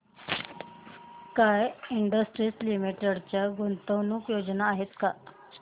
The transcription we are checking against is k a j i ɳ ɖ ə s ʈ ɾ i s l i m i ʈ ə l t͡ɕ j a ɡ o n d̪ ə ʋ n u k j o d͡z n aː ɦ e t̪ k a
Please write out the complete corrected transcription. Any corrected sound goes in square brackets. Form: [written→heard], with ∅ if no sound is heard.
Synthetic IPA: k a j i ɳ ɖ ə s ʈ ɾ i s l i m i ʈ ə [l→ɽ] t͡ɕ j a ɡ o n [d̪→t̪] ə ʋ n u k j o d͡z n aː ɦ e t̪ k a